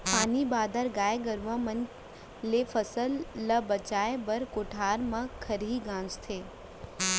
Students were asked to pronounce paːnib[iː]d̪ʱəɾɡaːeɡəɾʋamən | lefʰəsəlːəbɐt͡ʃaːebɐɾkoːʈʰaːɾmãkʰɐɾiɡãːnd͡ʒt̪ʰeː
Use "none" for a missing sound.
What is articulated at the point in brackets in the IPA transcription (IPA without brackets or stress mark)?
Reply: aː